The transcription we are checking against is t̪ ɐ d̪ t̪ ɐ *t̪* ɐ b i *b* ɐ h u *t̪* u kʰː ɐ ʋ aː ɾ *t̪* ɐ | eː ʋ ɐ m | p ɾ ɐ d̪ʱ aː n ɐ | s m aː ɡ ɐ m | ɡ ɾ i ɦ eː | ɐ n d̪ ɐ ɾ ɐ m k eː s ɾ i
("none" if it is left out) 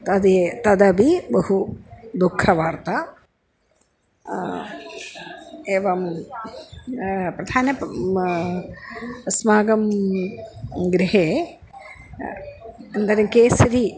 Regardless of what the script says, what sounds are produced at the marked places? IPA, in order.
d̪, b, d̪, t̪

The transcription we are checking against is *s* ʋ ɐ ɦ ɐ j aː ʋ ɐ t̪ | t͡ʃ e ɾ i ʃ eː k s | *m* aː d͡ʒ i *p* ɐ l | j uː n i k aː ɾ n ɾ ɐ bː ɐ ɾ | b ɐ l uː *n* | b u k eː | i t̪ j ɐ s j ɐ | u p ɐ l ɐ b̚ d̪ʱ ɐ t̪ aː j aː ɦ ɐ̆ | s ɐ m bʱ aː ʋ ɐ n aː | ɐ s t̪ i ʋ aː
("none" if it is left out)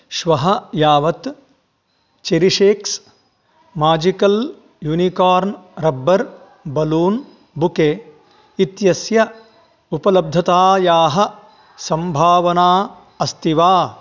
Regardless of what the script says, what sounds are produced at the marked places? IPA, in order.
ʃ, m, k, n

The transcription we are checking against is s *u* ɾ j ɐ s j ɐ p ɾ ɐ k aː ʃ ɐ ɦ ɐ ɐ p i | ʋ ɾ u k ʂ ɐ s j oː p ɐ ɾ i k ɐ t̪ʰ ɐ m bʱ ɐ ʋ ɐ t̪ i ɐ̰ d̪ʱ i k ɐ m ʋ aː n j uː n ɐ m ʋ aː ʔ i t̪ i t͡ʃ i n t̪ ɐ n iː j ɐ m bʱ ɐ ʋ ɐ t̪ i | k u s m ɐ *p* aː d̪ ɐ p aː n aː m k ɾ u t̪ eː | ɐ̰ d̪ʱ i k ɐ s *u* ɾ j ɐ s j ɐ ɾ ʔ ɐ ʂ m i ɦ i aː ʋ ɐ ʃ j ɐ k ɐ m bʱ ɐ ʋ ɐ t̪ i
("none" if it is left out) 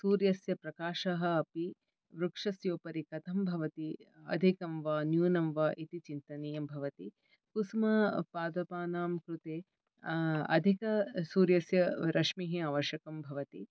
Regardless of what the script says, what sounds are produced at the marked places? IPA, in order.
uː, p, uː

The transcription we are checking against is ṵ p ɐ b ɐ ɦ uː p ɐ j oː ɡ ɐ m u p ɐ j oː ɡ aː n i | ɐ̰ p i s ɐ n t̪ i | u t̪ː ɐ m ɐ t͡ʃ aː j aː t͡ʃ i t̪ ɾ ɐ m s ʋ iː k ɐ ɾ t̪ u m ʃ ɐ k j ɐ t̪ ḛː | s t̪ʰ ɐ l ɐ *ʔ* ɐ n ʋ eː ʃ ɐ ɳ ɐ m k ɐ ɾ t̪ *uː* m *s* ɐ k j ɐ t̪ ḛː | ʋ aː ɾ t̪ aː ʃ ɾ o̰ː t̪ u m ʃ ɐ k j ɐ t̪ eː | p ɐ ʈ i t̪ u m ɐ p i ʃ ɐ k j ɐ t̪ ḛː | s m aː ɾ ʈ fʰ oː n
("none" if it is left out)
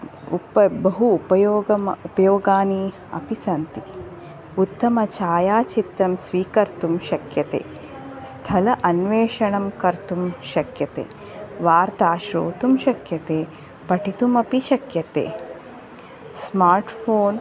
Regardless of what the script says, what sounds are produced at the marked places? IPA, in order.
ʔ, u, ʃ

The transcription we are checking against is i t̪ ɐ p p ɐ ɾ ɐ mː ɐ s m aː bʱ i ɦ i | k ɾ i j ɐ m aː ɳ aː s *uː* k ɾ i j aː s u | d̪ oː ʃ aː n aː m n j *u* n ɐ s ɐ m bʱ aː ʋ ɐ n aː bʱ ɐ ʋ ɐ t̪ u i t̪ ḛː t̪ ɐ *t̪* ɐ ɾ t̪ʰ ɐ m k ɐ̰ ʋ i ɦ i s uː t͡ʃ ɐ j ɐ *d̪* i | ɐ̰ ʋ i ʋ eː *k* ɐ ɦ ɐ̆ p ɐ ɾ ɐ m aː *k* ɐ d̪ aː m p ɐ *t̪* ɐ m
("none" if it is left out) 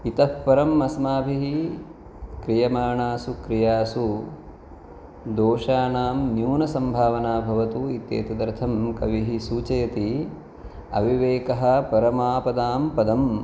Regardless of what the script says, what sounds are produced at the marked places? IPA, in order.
u, uː, d̪, t̪, k, p, d̪

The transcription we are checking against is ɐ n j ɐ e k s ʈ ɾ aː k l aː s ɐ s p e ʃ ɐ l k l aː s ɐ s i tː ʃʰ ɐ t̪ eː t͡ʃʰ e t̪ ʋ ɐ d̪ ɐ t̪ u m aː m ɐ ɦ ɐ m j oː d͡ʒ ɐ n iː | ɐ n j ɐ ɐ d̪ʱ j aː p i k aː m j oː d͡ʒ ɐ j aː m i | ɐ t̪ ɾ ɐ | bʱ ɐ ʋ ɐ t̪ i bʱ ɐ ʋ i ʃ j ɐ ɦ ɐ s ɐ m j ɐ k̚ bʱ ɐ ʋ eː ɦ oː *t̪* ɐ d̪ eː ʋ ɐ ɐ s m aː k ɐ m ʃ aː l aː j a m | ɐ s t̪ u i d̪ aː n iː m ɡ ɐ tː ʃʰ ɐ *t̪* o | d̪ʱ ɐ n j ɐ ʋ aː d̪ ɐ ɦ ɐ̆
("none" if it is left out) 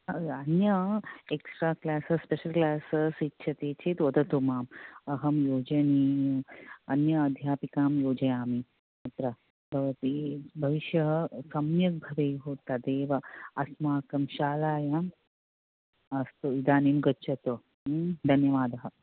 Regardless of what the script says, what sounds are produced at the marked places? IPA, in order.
t̪, t̪

